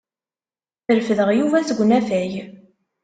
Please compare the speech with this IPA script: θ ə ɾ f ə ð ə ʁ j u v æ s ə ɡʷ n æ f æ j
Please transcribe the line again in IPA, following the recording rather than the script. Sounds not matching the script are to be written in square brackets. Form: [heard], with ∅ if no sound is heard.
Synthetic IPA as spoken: θ ə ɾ f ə ð ə ʁ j u v æ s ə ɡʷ n æ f æ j